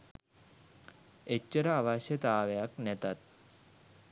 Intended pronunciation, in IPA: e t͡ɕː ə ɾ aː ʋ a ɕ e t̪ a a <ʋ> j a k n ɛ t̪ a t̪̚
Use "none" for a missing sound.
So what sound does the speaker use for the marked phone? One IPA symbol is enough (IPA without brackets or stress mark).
ʋ